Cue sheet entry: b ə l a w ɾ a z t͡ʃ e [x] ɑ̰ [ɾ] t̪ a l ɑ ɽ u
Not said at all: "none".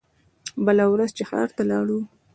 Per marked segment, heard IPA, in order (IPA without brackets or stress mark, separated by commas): x, ɾ